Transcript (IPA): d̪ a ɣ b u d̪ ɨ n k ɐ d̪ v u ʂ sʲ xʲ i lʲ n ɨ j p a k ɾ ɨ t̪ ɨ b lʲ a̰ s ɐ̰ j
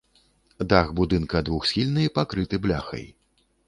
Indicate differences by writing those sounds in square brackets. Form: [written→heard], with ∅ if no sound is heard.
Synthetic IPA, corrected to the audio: d̪ a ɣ b u d̪ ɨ n k ɐ d̪ v u [ʂ→x] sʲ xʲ i lʲ n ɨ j p a k ɾ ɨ t̪ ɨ b lʲ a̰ [s→x] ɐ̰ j